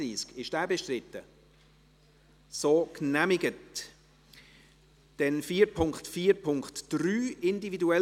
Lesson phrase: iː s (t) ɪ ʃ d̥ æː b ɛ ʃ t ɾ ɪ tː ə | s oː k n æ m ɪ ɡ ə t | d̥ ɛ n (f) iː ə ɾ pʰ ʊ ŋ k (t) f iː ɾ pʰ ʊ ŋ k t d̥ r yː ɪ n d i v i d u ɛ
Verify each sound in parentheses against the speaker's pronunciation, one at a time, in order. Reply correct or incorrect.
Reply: incorrect: k, correct, correct

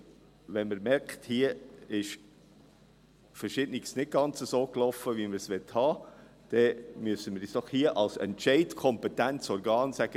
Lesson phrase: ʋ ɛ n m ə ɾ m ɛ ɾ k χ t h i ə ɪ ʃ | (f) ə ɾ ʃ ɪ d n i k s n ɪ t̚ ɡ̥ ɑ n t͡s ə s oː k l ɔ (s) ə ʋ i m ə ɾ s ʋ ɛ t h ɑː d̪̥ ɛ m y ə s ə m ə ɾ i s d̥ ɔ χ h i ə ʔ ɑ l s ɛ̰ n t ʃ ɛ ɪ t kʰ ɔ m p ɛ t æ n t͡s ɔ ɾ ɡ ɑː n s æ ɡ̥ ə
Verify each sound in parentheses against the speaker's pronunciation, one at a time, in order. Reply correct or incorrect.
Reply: correct, incorrect: f

